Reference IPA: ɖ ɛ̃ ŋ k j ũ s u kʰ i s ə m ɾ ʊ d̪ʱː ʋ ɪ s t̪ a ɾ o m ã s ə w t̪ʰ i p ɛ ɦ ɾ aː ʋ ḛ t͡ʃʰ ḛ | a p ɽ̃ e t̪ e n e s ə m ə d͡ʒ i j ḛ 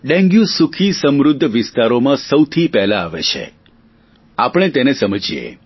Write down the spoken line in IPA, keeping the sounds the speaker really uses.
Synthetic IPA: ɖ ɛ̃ ŋ ɡ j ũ s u kʰ i s ə m ɾ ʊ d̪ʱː ʋ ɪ s t̪ a ɾ o m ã s ə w t̪ʰ i p ɛ ɦ l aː ʋ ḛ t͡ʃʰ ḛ | a p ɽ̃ e t̪ e n e s ə m ə d͡ʒ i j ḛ